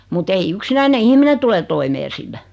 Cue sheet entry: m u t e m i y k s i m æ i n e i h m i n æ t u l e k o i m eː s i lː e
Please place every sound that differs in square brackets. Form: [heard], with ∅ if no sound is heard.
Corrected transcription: m u t e [∅] i y k s i [n] æ i n e i h m i n [e] t u l e [t] o i m eː s i lː [æ]